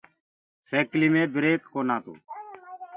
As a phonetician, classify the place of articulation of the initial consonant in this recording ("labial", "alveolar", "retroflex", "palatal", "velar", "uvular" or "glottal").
alveolar